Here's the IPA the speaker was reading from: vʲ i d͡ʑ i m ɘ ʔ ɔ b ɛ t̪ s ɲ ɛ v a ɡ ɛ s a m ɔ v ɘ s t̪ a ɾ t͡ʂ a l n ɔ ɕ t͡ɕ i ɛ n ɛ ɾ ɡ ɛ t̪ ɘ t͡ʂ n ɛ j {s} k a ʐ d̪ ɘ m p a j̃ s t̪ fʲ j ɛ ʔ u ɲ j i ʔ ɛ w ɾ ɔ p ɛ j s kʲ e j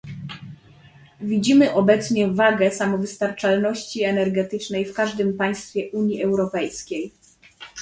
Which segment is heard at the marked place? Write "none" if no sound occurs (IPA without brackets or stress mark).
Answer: f